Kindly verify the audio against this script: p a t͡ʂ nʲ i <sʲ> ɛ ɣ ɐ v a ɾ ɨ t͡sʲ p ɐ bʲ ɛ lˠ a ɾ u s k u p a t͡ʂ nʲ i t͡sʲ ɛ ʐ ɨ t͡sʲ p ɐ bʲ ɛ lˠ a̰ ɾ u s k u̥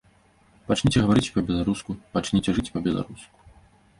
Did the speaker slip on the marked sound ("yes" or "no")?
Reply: yes